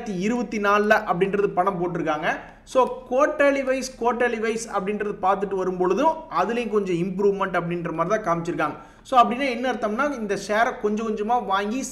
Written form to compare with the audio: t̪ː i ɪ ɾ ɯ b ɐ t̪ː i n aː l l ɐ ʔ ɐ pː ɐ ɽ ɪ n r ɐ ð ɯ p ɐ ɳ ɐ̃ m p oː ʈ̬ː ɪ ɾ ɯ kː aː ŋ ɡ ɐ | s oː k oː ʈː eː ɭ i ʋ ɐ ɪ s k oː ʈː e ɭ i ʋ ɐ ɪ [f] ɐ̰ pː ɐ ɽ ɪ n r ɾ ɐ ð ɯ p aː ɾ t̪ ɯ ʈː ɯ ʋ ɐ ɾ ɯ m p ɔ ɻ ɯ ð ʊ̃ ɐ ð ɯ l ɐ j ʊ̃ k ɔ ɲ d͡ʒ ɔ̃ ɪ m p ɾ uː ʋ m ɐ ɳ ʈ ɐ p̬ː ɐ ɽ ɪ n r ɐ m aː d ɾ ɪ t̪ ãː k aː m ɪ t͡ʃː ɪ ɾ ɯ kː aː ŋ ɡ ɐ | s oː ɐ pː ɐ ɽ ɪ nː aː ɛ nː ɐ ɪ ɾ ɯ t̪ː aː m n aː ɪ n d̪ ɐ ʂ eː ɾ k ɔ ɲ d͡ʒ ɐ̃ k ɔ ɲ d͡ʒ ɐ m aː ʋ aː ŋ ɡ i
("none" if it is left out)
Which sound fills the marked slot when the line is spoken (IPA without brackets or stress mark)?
s